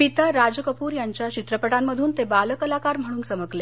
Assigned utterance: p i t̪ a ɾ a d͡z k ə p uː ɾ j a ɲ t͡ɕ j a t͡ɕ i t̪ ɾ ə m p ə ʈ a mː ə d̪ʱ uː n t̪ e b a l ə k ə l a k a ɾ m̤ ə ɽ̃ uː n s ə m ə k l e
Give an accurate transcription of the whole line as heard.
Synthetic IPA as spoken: p i t̪ a ɾ a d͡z k ə p uː ɾ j a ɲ t͡ɕ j a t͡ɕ i t̪ ɾ ə p ə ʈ a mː ə d̪ʱ uː n t̪ e b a l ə k ə l a k a ɾ m̤ ə ɽ̃ uː n s ə m ə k l e